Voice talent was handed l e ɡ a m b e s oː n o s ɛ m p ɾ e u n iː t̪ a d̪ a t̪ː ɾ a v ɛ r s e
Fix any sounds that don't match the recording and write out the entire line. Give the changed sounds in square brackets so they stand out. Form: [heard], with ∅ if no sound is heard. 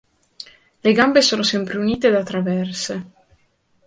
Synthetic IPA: l e ɡ a m b e s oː n o s ɛ m p ɾ e u n iː t̪ [e] d̪ a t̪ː ɾ a v ɛ r s e